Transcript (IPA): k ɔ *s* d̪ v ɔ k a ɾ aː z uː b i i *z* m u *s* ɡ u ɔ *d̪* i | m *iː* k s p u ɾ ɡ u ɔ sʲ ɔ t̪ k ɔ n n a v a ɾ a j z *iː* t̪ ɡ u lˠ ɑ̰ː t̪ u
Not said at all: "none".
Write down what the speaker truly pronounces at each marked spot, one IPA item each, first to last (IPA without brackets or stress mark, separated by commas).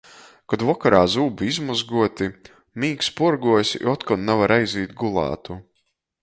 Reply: none, z, z, t̪, iː, iː